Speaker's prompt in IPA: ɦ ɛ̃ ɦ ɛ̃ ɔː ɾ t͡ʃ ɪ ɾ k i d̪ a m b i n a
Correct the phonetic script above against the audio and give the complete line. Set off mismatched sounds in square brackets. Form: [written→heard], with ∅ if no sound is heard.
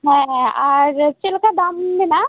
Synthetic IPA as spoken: ɦ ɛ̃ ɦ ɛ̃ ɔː ɾ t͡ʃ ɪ [ɾ→l] k [i→a] d̪ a m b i n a